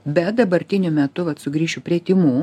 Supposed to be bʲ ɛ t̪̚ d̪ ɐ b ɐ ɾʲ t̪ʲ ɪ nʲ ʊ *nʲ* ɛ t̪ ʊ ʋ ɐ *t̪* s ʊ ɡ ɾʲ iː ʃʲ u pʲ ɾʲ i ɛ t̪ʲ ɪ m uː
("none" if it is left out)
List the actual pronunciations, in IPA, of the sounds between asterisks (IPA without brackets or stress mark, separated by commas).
mʲ, t̪